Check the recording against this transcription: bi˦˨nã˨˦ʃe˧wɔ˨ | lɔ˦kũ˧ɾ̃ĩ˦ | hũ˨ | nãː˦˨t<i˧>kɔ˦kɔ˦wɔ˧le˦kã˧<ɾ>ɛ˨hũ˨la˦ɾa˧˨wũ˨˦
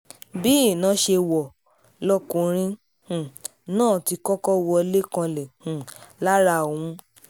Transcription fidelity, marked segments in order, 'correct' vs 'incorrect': correct, incorrect: l

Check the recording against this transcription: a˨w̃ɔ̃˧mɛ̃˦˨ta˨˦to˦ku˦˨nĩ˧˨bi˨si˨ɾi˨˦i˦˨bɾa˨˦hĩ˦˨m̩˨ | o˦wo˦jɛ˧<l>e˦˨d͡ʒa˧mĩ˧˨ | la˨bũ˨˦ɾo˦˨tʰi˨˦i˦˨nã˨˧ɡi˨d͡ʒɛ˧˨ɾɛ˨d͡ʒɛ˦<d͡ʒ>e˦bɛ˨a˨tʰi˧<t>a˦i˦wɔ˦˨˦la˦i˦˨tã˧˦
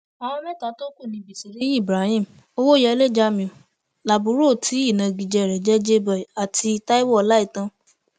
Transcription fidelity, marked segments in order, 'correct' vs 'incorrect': correct, correct, correct

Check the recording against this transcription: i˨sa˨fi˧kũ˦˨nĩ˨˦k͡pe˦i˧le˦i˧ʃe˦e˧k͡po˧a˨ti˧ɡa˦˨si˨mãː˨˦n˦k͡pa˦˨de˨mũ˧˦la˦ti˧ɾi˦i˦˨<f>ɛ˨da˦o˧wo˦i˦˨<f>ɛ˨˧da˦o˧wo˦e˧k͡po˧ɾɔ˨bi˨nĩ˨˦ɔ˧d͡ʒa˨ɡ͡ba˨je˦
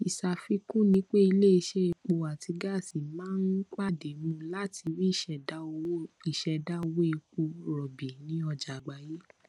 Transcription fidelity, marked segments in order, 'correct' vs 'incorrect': incorrect: ʃ, incorrect: ʃ

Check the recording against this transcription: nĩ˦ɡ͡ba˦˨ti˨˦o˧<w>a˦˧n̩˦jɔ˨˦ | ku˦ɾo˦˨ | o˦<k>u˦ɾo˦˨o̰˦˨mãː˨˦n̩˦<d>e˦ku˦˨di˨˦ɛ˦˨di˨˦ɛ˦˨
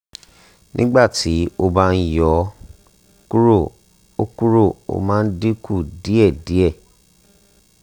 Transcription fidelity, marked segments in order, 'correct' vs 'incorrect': incorrect: b, correct, correct

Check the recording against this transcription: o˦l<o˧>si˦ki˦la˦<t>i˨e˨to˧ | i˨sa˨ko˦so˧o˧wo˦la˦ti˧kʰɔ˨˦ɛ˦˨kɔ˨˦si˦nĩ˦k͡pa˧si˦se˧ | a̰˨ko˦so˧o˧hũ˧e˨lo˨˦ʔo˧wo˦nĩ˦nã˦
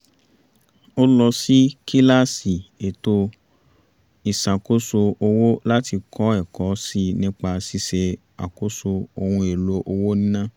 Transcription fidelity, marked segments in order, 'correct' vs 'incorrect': incorrect: ɔ˧, incorrect: s

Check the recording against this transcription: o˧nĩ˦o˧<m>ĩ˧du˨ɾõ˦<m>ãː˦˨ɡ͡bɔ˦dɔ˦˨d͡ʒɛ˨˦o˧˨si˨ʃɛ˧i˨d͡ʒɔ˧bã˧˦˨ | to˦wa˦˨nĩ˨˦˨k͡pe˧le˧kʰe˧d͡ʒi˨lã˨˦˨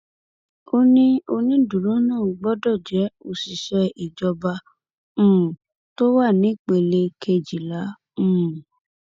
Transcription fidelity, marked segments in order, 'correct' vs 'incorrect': incorrect: n, incorrect: n

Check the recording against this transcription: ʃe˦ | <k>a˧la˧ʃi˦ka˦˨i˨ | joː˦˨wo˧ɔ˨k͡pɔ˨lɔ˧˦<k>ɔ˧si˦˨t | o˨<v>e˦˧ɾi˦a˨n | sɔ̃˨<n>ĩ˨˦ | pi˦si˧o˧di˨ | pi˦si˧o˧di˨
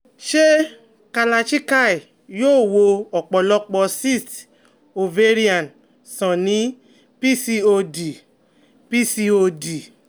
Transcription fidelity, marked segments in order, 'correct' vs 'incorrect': correct, incorrect: k͡p, correct, correct

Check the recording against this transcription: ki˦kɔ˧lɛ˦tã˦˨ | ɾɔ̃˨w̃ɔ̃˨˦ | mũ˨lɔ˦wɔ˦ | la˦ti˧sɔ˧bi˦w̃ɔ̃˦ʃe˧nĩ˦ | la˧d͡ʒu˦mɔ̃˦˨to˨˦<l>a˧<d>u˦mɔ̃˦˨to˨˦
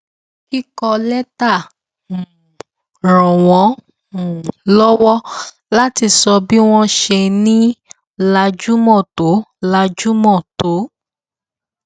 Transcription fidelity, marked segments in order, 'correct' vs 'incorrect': correct, incorrect: d͡ʒ

